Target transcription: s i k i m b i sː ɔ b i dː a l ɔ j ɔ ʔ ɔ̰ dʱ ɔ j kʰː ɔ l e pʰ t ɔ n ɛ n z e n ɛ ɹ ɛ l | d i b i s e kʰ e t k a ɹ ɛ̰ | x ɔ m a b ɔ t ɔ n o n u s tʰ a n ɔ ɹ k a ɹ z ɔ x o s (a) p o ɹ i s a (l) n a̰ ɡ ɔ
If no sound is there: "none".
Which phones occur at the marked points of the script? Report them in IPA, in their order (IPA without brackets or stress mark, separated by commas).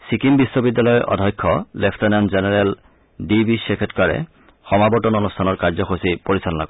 i, l